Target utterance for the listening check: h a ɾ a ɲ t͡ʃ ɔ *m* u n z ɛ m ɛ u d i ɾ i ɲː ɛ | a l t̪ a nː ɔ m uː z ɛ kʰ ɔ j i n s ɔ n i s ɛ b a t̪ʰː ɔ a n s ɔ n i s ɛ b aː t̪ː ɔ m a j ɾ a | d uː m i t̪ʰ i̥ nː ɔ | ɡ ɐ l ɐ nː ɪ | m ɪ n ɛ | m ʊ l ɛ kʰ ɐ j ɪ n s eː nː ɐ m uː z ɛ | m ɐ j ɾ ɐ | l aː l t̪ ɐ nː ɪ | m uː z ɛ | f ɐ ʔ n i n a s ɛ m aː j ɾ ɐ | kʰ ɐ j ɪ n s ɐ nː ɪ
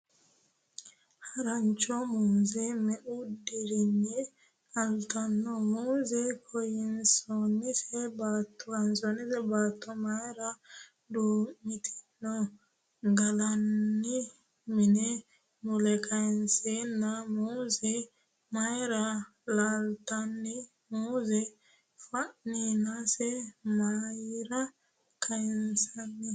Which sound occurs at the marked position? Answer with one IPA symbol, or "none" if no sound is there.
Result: m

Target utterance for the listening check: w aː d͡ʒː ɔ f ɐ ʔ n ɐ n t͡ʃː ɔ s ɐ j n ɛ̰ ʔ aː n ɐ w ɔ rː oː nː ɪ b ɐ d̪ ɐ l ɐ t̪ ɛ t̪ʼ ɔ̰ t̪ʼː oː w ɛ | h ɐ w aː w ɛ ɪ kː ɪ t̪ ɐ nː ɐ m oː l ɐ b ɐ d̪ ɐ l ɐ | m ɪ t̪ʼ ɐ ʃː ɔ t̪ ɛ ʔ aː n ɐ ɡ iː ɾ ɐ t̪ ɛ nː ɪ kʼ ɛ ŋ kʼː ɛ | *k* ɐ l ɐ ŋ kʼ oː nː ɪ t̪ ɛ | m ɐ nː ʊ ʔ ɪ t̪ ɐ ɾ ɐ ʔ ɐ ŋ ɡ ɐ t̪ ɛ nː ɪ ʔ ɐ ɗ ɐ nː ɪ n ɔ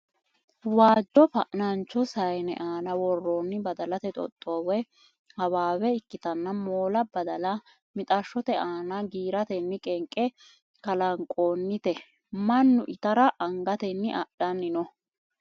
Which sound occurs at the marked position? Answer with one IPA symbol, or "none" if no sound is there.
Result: k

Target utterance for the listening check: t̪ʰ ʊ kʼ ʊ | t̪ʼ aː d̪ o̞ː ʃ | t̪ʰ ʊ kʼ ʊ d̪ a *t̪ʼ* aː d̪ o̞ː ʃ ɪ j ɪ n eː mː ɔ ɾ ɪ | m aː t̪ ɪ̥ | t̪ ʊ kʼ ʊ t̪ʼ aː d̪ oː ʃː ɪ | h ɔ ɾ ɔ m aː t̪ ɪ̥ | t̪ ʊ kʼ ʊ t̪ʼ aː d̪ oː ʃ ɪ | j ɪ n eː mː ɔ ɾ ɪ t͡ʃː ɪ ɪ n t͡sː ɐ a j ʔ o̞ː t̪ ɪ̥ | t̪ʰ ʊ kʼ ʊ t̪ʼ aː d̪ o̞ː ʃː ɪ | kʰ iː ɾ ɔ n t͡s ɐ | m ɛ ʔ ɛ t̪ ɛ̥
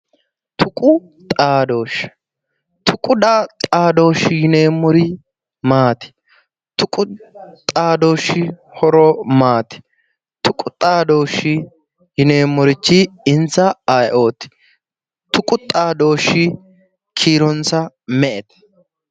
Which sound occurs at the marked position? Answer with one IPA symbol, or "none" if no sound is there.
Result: t̪ʼ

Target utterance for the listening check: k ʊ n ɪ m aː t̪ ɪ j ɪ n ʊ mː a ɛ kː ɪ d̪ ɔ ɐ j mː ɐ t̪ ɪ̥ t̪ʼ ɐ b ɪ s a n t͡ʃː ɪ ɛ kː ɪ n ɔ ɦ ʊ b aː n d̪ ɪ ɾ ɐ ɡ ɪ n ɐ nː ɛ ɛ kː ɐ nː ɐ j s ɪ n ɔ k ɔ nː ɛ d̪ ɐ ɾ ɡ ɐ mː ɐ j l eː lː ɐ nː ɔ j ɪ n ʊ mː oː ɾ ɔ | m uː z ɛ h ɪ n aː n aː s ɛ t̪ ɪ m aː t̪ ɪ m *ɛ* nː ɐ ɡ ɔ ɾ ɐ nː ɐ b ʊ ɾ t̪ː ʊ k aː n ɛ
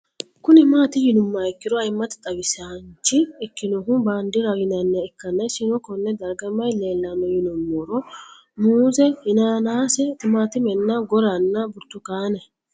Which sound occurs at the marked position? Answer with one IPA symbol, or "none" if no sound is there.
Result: ɛ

